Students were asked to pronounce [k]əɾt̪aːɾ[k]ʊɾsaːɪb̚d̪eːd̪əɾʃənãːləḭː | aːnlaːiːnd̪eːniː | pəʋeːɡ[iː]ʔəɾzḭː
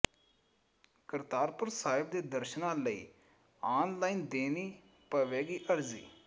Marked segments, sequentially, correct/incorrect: correct, incorrect: p, correct

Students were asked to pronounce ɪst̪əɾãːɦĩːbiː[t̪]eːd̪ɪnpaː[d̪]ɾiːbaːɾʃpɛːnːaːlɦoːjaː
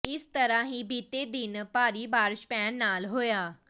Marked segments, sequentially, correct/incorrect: correct, incorrect: none

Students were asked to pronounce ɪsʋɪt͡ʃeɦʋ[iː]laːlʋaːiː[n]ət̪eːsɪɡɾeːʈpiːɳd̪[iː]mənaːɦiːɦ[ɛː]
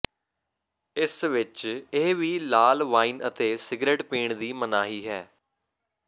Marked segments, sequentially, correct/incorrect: correct, correct, correct, correct

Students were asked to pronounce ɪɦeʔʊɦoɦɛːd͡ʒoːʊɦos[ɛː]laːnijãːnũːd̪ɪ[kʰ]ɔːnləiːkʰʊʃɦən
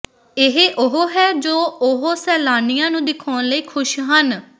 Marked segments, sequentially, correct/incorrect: correct, correct

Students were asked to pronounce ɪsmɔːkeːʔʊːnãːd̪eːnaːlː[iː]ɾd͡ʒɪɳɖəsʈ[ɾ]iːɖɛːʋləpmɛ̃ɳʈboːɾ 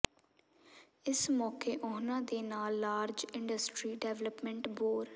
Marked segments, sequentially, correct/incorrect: incorrect: aː, correct

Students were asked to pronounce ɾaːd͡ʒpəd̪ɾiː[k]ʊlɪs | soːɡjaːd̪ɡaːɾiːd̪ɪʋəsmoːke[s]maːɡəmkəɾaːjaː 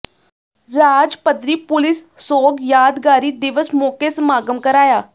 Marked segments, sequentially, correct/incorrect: incorrect: p, correct

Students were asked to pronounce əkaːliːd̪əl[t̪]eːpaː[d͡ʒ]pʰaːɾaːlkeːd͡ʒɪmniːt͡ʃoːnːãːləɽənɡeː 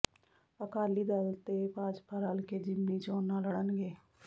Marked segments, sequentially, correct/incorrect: correct, correct

